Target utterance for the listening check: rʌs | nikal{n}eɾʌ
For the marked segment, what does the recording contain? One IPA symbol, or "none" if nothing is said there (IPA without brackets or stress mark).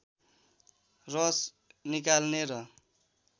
n